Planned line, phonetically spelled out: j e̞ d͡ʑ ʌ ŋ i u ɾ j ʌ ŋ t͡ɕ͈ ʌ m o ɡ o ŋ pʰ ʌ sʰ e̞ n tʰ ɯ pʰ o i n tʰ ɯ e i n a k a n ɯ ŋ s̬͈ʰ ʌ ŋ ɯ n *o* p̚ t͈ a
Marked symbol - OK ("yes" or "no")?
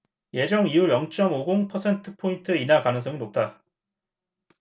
yes